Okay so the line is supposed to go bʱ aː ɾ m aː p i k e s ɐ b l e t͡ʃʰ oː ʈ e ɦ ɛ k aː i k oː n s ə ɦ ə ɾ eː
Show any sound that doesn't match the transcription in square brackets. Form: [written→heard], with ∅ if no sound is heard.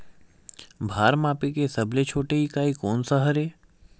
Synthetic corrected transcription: bʱ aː ɾ m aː p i k e s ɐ b l e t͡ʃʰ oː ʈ e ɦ [ɛ→i] k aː i k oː n s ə ɦ ə ɾ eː